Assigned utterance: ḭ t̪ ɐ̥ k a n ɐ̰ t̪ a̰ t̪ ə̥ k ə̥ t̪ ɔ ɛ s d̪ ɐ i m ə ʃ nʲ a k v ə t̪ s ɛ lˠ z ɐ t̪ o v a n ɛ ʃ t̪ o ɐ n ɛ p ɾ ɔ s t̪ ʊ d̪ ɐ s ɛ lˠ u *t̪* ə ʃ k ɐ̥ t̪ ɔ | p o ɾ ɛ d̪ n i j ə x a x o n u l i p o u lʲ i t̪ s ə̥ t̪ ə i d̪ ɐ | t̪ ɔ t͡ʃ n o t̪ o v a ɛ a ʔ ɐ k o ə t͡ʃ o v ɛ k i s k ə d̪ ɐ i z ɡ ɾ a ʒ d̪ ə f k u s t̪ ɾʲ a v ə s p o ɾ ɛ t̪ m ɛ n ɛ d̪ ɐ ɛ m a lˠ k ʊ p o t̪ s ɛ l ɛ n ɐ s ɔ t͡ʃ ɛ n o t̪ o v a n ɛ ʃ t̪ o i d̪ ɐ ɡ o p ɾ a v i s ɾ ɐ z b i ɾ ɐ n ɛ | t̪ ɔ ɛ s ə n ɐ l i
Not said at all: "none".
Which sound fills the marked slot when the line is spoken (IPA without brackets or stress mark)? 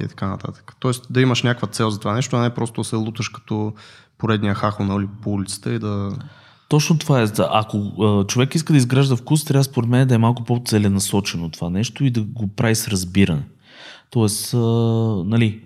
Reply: t̪